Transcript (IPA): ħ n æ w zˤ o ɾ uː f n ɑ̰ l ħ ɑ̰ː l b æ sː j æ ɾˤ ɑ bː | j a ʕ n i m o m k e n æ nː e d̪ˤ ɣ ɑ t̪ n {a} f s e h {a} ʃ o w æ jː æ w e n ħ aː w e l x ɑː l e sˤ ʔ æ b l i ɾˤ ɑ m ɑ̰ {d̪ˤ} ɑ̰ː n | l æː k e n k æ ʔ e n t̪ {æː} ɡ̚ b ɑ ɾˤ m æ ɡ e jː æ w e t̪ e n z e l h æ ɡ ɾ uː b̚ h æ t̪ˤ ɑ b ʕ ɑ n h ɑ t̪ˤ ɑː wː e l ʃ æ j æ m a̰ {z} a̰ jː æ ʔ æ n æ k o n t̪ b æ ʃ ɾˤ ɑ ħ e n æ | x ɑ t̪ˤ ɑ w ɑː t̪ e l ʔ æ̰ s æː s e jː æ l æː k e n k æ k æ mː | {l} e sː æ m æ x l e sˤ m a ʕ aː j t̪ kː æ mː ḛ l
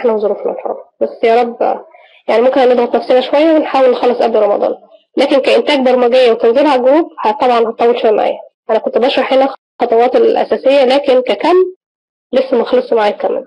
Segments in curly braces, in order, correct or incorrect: incorrect: æ, incorrect: æ, correct, correct, incorrect: ʕ, correct

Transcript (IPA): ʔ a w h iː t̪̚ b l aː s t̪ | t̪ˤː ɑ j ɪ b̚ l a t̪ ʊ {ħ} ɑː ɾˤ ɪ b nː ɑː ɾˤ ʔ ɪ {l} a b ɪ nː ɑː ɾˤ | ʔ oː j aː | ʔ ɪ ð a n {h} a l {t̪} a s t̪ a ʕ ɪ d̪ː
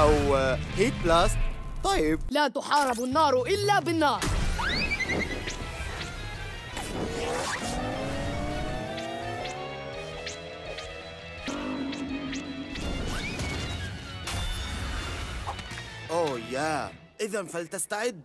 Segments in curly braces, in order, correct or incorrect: correct, incorrect: lː, incorrect: f, correct

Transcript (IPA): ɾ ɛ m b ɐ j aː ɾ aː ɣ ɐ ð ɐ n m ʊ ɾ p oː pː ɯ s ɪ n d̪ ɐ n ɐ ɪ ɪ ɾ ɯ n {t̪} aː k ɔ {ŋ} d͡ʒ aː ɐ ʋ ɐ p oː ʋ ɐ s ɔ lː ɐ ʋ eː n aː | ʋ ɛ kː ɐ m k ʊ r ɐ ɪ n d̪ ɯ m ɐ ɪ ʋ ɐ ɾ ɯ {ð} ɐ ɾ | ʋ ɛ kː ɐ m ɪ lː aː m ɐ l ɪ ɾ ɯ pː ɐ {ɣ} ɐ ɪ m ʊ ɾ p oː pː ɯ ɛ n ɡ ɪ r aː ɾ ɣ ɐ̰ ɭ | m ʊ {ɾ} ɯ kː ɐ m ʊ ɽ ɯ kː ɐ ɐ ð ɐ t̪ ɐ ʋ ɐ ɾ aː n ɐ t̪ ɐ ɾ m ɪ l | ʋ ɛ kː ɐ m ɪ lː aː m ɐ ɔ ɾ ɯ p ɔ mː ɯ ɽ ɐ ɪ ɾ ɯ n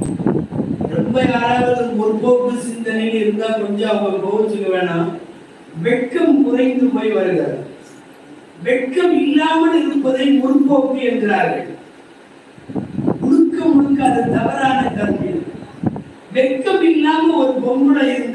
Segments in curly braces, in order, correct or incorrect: incorrect: d̪, incorrect: ɲ, incorrect: ɣ, incorrect: ð, incorrect: ɽ

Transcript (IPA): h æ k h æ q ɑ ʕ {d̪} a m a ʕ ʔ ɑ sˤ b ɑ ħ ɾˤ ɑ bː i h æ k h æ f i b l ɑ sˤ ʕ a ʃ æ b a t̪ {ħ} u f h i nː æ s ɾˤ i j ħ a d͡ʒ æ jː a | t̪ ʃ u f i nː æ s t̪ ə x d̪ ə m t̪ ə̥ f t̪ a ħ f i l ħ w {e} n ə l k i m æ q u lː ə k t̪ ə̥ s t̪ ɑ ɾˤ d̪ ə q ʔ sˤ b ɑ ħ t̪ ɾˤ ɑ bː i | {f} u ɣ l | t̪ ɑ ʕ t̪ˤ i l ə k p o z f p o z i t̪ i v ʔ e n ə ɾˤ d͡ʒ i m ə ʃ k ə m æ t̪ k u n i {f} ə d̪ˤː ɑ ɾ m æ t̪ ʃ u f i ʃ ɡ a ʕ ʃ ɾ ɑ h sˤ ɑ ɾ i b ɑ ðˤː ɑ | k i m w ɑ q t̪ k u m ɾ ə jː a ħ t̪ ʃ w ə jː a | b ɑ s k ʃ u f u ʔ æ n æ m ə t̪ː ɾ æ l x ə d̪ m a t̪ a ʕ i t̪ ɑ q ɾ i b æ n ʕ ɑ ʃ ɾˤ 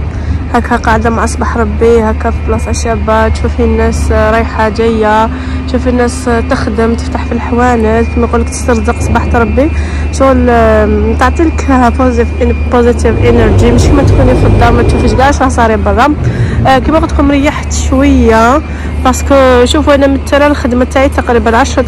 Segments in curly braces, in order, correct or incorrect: correct, incorrect: ʃ, incorrect: æ, incorrect: ʃ, correct

